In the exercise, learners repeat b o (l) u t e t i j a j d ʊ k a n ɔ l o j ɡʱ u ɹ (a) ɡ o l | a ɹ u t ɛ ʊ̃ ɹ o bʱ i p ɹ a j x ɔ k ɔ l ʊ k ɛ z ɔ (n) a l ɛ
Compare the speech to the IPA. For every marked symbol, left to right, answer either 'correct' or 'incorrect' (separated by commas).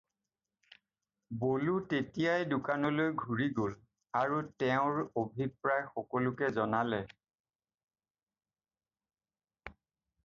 correct, incorrect, correct